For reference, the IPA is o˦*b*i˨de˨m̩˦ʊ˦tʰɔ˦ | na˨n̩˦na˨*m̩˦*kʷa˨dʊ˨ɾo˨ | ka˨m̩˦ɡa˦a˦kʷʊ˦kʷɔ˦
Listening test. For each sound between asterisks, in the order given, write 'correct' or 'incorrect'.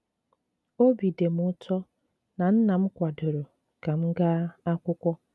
correct, correct

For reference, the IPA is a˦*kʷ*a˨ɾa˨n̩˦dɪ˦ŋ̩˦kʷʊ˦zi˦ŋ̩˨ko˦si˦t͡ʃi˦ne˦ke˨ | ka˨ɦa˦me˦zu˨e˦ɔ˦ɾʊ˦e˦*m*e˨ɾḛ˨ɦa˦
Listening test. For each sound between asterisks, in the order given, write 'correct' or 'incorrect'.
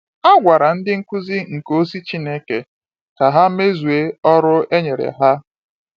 incorrect, incorrect

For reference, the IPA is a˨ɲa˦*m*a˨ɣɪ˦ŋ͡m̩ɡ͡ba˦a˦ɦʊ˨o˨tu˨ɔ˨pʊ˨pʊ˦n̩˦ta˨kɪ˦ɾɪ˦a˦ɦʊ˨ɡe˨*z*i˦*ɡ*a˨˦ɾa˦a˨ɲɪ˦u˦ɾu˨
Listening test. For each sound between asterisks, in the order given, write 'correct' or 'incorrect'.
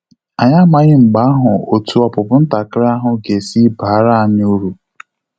correct, incorrect, incorrect

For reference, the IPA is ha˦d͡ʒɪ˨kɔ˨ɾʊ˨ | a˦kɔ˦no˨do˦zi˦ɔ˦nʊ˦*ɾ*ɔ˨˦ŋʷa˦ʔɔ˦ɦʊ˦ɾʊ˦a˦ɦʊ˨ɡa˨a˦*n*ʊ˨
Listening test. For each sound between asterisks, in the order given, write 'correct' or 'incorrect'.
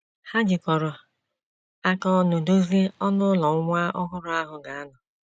incorrect, correct

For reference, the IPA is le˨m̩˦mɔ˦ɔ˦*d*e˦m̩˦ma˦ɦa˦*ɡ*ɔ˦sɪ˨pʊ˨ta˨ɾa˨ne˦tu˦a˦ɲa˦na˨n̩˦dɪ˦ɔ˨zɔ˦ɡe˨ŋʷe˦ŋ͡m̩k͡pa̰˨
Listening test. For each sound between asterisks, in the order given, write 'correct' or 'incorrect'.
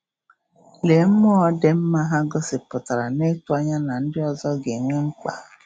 correct, correct

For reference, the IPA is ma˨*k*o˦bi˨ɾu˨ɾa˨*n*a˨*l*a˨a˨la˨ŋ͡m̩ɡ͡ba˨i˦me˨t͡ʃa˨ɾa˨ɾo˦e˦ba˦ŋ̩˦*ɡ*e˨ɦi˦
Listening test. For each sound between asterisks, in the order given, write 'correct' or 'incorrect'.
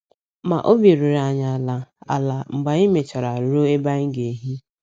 incorrect, incorrect, correct, correct

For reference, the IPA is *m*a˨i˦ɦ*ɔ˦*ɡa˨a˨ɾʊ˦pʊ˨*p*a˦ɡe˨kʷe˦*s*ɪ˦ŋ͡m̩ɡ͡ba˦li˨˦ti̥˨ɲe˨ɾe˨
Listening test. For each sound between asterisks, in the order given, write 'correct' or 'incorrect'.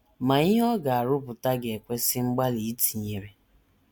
correct, correct, incorrect, correct

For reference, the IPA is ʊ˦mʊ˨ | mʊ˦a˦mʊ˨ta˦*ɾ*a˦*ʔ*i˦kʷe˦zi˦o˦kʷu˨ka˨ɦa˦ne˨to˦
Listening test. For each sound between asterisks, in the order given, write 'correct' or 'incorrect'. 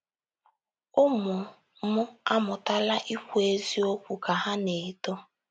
incorrect, correct

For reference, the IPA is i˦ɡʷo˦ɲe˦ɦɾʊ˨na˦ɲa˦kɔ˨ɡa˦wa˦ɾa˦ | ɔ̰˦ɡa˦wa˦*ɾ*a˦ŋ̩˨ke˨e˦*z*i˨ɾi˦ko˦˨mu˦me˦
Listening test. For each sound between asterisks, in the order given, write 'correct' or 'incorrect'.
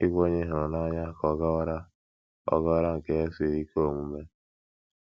correct, incorrect

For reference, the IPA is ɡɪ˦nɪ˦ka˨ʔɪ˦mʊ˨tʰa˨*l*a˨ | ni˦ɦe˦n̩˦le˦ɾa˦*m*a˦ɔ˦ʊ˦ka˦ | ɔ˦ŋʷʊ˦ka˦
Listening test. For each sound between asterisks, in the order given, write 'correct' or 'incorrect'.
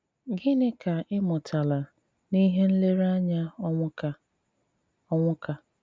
correct, incorrect

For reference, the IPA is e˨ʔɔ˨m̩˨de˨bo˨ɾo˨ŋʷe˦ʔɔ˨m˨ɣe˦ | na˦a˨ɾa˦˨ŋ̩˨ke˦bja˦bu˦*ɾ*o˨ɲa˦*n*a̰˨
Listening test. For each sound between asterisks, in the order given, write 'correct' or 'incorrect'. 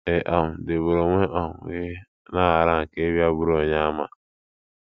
correct, incorrect

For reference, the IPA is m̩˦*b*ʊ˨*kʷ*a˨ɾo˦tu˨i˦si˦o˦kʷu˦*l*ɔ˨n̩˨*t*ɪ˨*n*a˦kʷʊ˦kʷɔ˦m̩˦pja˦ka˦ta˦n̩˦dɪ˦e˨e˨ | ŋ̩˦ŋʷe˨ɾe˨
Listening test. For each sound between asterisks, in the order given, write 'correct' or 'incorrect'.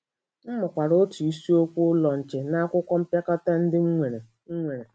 incorrect, correct, correct, incorrect, correct

